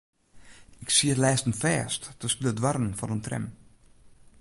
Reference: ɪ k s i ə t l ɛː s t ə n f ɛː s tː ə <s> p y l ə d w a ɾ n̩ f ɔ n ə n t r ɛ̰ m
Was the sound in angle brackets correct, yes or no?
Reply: yes